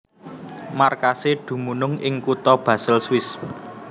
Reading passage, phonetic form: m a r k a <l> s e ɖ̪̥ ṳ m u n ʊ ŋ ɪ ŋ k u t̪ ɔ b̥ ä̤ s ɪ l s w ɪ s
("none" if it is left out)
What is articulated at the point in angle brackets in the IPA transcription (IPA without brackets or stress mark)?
none